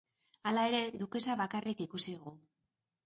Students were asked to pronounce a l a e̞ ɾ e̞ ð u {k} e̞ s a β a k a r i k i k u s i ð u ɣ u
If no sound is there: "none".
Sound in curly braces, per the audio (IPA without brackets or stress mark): k